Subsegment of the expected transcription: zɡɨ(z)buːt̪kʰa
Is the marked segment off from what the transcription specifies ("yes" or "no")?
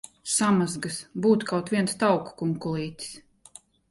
yes